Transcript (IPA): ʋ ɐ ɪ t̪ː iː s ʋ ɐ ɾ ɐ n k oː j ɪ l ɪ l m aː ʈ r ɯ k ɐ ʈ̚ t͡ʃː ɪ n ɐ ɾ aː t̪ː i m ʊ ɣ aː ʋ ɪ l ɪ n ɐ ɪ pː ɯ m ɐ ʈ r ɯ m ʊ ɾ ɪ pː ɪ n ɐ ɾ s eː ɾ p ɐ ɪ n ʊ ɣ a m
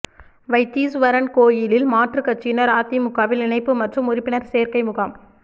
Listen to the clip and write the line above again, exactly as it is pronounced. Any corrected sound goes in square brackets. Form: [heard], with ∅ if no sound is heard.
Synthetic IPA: ʋ ɐ ɪ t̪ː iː s ʋ ɐ ɾ ɐ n k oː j ɪ l ɪ l m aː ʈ r ɯ k ɐ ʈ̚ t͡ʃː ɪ n ɐ ɾ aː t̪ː i m ʊ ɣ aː ʋ ɪ l ɪ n ɐ ɪ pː ɯ m ɐ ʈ r ɯ m ʊ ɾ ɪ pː ɪ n ɐ ɾ s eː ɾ [k] ɐ ɪ [m] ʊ ɣ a m